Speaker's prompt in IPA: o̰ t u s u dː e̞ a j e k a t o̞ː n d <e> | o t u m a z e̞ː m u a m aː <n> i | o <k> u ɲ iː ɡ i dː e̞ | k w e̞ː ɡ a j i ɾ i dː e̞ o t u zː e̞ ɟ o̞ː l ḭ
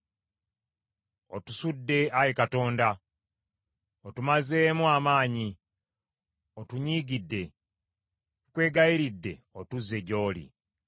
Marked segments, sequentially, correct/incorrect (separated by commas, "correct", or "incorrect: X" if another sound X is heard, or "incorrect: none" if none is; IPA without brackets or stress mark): incorrect: a, incorrect: ɲ, incorrect: t